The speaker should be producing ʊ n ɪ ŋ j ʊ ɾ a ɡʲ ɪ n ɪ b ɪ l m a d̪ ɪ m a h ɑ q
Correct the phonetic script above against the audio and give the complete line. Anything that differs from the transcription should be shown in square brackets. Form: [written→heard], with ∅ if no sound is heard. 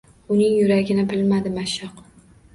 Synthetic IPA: ʊ n ɪ ŋ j ʊ ɾ a ɡʲ ɪ n ɪ b ɪ l m a d̪ ɪ m a [h→ʃ] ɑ q